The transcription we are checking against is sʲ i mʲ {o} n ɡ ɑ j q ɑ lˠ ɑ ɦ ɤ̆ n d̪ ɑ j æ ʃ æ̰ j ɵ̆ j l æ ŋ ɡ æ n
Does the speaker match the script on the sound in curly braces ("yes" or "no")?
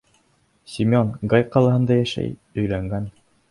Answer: yes